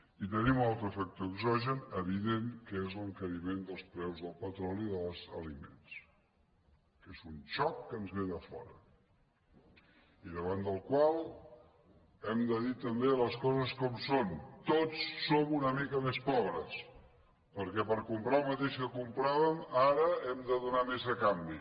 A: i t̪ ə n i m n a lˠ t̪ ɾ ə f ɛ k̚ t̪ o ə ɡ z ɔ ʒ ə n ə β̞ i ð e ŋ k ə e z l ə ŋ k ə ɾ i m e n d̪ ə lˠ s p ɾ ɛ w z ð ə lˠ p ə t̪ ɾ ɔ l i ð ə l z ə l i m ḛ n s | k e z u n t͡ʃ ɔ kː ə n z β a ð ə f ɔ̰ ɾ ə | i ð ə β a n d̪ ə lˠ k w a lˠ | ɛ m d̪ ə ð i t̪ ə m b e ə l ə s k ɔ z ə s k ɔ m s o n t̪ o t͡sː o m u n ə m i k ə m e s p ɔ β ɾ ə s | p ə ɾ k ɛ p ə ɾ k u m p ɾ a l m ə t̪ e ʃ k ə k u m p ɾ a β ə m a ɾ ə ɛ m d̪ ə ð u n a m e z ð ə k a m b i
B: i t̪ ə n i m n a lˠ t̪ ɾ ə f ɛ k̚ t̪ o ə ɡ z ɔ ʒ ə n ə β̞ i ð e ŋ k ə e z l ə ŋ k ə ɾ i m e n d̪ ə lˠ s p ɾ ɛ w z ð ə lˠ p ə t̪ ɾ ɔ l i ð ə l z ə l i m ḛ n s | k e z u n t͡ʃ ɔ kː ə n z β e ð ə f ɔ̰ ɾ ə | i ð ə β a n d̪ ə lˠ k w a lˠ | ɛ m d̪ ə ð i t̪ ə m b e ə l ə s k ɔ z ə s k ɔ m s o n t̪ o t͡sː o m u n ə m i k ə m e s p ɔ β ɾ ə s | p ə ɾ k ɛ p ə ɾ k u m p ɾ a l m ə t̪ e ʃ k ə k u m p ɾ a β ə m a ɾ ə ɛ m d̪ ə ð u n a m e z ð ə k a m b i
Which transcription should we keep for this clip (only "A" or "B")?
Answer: B